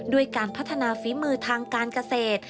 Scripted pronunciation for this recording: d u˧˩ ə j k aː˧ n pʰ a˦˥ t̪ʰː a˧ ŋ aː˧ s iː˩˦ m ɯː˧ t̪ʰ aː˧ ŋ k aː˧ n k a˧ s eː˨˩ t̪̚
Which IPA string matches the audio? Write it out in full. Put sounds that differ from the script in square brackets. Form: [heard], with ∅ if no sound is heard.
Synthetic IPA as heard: d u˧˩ ə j k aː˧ n pʰ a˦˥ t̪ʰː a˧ [n] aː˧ [f] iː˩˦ m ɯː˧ t̪ʰ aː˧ ŋ k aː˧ n k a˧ s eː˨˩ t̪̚